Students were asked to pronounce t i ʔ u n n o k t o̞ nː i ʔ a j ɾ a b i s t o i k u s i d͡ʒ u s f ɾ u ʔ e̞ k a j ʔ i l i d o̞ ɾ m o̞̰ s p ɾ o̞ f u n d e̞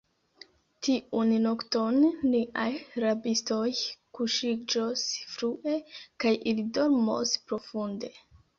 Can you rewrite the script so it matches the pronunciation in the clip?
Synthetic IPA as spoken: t i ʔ u n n o k t o̞ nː i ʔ a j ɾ a b i s t o j k u ʃ i d͡ʒ o s f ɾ u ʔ e̞ k a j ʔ i l i d o̞ ɾ m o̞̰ s p ɾ o̞ f u n d e̞